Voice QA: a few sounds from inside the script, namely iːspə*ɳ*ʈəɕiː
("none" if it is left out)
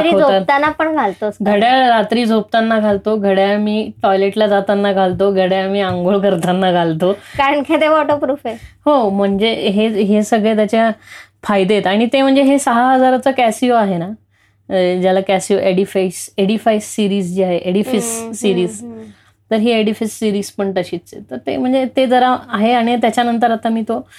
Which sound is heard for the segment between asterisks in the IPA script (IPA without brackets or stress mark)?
ɳ